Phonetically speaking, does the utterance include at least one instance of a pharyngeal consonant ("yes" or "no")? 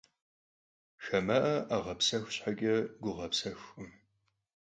yes